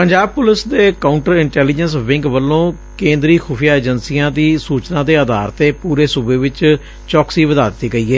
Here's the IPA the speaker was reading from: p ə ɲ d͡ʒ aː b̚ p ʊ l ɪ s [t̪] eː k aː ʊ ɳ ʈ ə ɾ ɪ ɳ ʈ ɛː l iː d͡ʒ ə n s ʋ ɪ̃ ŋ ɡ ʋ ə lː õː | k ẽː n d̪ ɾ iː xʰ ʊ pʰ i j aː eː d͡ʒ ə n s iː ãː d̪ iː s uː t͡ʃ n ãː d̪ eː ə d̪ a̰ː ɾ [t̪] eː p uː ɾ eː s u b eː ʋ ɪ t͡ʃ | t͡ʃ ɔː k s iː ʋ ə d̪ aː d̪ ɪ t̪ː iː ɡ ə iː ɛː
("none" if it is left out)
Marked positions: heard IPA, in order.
d̪, t̪

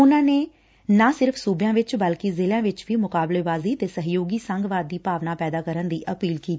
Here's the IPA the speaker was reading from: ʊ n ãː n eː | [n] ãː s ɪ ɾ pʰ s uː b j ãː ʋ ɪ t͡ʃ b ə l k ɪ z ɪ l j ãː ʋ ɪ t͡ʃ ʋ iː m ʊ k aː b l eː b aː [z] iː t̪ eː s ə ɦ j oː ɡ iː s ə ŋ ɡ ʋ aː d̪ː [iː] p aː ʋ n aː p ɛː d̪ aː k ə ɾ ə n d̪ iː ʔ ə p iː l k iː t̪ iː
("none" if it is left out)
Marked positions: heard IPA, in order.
n, z, iː

